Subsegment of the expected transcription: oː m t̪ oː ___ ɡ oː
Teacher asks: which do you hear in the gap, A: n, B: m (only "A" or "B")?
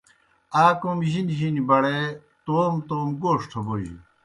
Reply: B